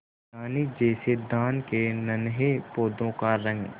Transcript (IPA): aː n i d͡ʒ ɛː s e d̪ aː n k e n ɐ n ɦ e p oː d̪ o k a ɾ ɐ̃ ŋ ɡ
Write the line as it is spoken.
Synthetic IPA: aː n i d͡ʒ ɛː s e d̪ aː n k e n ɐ n ɦ e p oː d̪ õ k a ɾ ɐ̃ ŋ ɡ

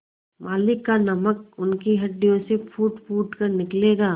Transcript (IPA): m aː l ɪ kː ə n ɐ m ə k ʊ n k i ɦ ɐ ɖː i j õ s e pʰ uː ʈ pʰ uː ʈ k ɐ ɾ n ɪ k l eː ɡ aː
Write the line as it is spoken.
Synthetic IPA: m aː l ɪ kː a n ɐ m ə k ʊ n k i ɦ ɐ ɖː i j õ s e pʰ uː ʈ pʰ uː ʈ k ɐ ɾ n ɪ k l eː ɡ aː

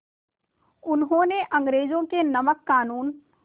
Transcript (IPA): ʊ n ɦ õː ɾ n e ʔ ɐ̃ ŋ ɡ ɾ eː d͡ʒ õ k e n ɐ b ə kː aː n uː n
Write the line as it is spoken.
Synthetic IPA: ʊ n ɦ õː n e ʔ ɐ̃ ŋ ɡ ɾ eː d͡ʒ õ k e n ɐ m ə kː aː n uː n

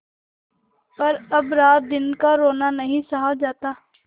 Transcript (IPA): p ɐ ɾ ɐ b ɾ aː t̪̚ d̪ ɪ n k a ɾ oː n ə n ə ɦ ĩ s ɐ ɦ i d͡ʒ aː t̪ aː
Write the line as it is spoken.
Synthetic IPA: p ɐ ɾ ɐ b ɾ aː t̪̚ d̪ ɪ n k a ɾ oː n a n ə ɦ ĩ s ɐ ɦ a d͡ʒ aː t̪ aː

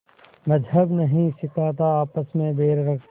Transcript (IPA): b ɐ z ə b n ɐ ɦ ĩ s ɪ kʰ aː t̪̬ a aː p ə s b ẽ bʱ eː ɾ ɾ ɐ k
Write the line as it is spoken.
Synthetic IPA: m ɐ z ə b n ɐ ɦ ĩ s ɪ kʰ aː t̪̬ a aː p ə s m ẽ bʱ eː ɾ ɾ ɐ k

